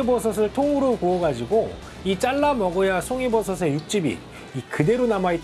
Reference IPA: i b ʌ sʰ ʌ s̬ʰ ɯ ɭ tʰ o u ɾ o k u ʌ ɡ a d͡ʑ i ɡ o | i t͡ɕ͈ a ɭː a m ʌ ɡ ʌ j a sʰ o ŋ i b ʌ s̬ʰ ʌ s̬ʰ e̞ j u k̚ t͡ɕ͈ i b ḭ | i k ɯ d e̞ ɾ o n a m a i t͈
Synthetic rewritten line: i b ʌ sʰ ʌ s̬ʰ ɯ ɭ tʰ o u ɾ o k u ʌ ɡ a d͡ʑ i ɡ o | i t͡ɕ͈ a ɭː a m ʌ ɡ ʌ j a sʰ o ŋ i b ʌ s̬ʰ ʌ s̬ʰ e̞ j u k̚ t͡ɕ͈ i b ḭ | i k ɯ d e̞ ɾ o n a m a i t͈